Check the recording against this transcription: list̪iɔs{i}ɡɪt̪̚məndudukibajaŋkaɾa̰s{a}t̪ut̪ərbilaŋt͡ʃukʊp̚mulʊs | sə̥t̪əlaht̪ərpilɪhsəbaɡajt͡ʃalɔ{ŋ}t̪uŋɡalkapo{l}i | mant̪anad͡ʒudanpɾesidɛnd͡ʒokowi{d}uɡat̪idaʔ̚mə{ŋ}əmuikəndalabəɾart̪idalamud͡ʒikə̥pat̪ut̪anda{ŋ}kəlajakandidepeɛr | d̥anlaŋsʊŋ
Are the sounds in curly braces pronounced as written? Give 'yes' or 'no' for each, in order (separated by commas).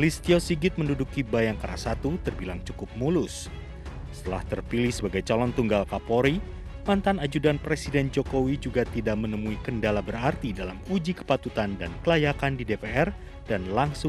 yes, yes, no, no, no, no, no